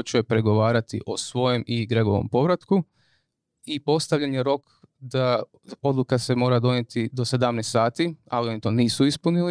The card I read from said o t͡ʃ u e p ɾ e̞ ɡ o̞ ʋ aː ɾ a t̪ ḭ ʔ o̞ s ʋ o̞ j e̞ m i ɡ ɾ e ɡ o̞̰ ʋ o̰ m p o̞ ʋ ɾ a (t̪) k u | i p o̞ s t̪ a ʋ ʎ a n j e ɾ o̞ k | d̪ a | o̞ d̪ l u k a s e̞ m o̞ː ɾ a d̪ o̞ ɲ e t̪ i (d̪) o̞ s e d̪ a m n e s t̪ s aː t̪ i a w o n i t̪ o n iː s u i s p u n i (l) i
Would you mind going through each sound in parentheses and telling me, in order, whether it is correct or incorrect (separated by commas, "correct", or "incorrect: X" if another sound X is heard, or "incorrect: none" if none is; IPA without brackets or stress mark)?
correct, correct, correct